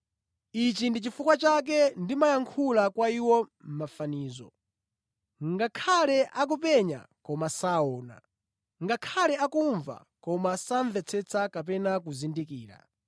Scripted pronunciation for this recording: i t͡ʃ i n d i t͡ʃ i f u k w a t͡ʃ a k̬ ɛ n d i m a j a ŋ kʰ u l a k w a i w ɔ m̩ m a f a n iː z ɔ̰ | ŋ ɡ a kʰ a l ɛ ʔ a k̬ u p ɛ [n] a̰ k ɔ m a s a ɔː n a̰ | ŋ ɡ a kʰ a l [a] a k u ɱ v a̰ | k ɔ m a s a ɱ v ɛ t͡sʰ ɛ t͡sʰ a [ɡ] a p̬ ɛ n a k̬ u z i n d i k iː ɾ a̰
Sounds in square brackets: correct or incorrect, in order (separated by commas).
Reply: incorrect, incorrect, incorrect